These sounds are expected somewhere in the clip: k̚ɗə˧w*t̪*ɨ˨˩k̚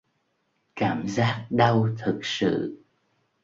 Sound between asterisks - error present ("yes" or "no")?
yes